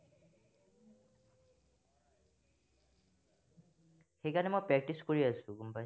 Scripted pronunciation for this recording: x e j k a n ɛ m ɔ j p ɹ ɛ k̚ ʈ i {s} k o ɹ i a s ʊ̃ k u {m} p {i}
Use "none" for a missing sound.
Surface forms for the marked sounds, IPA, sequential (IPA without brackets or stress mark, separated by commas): s, m, a